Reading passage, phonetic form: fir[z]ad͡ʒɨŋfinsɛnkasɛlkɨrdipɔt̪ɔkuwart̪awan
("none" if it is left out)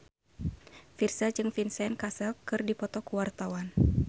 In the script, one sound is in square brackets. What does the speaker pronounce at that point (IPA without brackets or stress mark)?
s